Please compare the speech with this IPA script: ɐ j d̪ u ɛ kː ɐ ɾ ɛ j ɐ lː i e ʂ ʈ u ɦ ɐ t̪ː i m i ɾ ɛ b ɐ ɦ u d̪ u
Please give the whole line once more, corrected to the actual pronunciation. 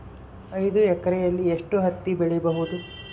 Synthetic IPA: ɐ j d̪ u ɛ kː ɐ ɾ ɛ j ɐ lː i e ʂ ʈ u ɦ ɐ t̪ː i b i ɭ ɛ b ɐ ɦ u d̪ u